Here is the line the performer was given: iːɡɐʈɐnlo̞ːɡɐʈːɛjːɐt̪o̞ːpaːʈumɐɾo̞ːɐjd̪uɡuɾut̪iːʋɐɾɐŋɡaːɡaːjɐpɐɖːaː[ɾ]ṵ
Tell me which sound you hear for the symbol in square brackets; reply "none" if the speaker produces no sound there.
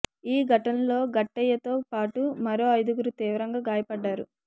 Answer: ɾ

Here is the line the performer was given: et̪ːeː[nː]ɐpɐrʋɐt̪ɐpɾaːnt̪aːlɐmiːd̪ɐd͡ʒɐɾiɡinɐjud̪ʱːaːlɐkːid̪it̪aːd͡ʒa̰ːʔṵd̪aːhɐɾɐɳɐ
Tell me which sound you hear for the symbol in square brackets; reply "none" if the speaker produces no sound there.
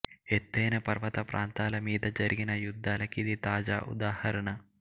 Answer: n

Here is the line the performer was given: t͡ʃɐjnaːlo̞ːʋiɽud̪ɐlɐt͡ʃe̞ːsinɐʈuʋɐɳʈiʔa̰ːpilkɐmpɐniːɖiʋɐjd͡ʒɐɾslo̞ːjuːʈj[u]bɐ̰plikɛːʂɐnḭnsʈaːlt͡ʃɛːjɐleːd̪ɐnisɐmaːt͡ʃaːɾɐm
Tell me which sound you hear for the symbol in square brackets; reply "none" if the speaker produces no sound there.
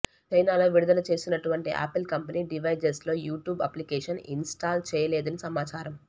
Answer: uː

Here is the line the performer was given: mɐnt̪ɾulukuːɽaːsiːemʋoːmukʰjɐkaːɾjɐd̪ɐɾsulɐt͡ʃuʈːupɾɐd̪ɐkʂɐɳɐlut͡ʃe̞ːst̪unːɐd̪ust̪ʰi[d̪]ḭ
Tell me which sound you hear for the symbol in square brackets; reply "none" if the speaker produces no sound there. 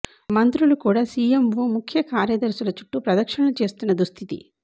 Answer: t̪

